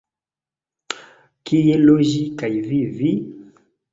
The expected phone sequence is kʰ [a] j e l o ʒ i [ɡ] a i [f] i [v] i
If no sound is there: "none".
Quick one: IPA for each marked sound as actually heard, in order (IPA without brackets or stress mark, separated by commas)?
i, k, v, v